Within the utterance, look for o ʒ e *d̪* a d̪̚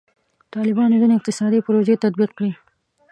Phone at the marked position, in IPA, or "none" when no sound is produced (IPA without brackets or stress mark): t̪